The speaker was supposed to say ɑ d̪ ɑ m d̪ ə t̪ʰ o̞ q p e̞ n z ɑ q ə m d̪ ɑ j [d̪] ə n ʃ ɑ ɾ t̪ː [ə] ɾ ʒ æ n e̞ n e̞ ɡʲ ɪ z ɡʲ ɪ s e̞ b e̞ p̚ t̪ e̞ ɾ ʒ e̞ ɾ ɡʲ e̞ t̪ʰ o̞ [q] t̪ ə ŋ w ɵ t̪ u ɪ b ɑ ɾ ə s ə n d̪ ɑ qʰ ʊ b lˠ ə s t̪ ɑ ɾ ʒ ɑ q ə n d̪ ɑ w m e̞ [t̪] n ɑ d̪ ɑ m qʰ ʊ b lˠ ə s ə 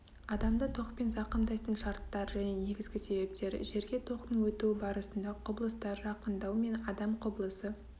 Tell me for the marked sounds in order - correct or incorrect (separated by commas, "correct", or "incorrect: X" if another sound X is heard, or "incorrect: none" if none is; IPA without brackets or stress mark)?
incorrect: t̪, incorrect: ɑ, correct, incorrect: none